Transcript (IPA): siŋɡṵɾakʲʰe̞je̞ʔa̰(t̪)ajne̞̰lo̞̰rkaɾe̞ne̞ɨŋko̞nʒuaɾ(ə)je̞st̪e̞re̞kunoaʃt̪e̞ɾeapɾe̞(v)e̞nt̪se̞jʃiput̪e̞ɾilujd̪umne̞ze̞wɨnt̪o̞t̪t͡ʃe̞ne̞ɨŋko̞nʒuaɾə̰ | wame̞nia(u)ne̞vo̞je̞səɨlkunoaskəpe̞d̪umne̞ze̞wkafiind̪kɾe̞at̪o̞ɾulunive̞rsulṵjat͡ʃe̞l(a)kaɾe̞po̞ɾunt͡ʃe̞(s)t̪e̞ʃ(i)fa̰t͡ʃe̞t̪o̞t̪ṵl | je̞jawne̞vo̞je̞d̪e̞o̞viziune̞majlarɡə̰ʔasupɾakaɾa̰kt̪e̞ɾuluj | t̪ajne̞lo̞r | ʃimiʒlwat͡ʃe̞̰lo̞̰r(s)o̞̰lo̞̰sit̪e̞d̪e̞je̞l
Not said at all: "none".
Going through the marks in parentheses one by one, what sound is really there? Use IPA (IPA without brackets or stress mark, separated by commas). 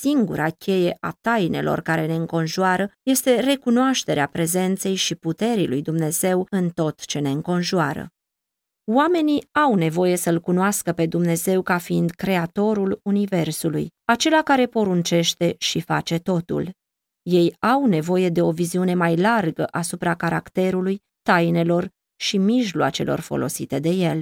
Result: t̪, ə, z, w, a, ʃ, i, f